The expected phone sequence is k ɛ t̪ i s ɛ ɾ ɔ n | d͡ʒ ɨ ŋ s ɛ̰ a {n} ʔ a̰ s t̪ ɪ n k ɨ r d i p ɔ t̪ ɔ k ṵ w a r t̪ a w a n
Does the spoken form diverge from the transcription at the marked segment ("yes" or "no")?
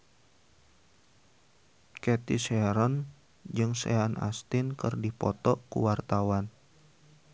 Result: no